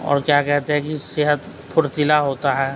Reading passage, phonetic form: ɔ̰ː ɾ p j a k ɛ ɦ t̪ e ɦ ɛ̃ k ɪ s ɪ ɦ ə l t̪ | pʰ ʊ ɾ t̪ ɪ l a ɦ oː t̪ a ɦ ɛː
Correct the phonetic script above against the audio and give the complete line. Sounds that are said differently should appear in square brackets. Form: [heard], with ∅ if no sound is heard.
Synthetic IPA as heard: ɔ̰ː ɾ [k] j a k ɛ ɦ t̪ e ɦ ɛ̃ k [i] s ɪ ɦ ə [∅] t̪ | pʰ ʊ ɾ t̪ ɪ l a ɦ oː t̪ a ɦ ɛː